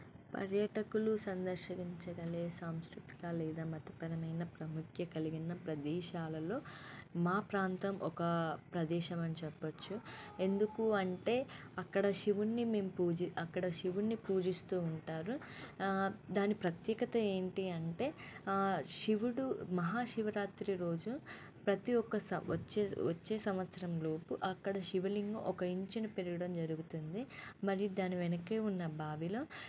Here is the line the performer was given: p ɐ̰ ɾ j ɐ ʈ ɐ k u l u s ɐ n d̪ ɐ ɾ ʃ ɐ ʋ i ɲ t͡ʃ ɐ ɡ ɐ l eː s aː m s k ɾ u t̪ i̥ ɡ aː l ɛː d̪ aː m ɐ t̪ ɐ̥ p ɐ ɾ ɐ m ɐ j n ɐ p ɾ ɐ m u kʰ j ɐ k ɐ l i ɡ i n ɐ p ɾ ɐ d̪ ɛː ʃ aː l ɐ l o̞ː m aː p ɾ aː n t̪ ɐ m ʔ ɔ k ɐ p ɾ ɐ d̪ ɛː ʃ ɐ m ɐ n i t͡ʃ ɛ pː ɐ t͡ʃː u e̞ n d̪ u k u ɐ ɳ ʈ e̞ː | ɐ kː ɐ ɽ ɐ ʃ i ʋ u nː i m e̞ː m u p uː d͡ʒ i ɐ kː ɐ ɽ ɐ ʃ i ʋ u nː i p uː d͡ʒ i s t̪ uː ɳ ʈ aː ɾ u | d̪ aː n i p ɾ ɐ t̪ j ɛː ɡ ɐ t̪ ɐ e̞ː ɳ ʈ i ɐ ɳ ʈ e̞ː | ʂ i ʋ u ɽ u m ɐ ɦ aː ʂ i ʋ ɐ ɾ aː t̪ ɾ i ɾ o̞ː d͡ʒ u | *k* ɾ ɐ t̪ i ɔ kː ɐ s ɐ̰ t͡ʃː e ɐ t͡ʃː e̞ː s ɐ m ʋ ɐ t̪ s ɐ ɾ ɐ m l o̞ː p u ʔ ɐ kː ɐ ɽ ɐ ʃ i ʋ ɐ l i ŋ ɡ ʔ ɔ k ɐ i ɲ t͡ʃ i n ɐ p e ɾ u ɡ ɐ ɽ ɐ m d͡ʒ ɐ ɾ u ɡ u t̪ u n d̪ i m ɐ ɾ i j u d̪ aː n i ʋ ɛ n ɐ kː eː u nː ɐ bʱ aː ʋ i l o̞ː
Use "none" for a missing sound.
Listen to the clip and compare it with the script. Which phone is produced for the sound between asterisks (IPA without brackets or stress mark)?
p